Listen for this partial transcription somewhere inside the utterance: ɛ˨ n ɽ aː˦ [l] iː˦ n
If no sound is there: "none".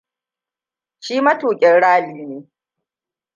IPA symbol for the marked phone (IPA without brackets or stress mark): l